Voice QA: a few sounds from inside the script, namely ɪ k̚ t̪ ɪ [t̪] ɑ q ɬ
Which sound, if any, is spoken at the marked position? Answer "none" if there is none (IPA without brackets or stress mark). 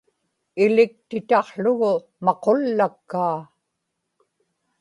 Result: t̪